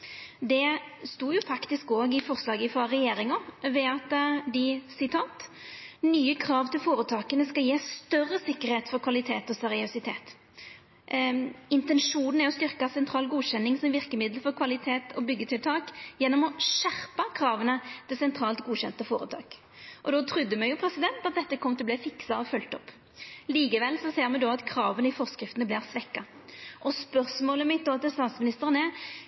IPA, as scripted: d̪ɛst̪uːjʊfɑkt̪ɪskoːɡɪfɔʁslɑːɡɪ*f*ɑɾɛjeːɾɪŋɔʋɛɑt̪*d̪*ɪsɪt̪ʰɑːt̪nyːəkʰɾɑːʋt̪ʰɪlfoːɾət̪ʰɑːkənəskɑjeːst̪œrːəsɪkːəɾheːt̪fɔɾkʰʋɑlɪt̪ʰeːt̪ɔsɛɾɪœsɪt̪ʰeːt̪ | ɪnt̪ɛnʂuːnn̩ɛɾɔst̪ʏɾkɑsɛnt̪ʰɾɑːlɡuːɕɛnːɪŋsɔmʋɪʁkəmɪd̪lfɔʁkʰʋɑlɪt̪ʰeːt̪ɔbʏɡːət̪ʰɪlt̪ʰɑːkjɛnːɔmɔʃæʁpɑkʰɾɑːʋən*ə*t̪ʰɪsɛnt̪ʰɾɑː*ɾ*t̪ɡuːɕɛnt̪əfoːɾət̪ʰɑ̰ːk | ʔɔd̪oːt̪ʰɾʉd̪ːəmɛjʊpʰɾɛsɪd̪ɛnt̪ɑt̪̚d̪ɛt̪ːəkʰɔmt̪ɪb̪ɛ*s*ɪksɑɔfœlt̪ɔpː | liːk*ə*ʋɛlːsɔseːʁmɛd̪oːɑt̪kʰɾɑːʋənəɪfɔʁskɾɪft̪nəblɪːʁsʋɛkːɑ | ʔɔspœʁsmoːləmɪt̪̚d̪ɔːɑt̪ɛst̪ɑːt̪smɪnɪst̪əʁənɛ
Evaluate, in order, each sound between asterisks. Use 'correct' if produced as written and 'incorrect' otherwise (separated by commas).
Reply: correct, correct, correct, incorrect, incorrect, correct